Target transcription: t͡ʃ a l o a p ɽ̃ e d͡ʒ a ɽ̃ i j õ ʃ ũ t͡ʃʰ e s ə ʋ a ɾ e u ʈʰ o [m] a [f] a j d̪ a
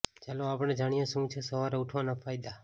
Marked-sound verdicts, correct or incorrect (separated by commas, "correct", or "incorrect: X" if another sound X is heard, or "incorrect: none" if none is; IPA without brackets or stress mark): incorrect: n, correct